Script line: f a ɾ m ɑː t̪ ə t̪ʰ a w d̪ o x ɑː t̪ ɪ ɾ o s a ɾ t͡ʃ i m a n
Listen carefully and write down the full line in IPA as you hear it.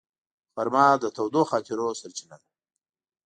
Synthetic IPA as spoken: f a ɾ m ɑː d̪ ə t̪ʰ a w d̪ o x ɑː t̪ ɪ ɾ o s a ɾ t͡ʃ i n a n